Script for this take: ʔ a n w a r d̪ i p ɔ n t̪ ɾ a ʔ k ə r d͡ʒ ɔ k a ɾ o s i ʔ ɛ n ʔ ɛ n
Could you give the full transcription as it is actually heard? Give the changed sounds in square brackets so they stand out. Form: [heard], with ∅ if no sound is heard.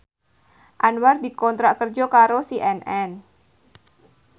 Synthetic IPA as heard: ʔ a n w a r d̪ i [k] ɔ n t̪ ɾ a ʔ k ə r d͡ʒ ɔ k a ɾ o s i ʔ ɛ n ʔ ɛ n